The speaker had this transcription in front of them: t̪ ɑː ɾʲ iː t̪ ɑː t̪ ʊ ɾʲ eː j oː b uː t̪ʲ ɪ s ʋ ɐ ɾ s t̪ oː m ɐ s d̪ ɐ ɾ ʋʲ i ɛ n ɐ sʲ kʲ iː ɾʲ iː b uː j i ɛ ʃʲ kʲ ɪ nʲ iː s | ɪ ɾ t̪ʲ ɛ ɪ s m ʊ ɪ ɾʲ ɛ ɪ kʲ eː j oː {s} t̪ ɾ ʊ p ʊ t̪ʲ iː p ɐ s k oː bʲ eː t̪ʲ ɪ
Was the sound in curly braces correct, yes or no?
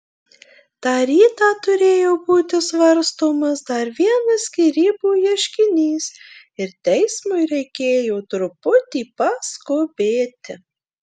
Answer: no